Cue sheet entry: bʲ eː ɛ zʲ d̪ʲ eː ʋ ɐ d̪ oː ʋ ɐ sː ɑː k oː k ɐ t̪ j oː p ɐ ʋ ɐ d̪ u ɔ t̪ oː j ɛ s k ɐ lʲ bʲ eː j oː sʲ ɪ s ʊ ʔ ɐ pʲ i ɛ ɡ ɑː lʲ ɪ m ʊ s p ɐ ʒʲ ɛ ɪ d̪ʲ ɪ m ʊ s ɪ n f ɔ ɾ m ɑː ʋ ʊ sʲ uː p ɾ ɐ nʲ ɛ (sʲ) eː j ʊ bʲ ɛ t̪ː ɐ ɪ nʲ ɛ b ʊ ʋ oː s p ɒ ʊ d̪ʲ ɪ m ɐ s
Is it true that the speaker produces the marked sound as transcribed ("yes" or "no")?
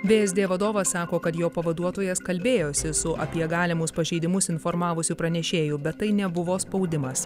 no